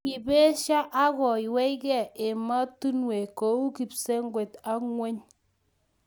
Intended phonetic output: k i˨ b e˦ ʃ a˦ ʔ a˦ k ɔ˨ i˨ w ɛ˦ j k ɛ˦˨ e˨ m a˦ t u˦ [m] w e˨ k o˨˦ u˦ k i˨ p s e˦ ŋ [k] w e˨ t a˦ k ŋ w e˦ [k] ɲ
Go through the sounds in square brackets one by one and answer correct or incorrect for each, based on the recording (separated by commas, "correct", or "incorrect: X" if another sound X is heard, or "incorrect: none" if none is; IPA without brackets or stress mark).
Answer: incorrect: n, incorrect: ɡ, incorrect: none